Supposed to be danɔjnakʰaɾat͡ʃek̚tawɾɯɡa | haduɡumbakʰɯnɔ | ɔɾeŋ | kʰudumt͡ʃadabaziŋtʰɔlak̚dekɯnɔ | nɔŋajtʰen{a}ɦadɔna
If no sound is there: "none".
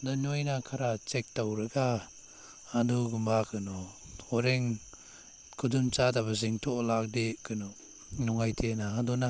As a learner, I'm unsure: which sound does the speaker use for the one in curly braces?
a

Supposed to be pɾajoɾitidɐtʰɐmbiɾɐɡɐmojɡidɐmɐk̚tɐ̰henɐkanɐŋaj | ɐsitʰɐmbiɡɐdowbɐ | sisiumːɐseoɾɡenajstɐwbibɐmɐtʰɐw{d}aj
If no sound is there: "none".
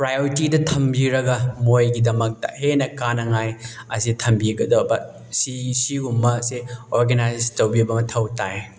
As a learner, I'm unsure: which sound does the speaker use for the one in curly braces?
t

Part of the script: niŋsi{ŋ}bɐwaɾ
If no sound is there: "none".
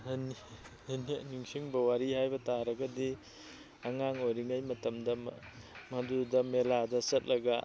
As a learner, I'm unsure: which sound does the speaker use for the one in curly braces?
ŋ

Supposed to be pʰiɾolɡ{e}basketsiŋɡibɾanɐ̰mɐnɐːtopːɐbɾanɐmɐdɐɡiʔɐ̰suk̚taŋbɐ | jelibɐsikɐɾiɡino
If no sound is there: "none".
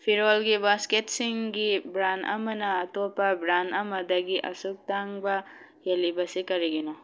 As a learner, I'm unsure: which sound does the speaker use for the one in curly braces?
i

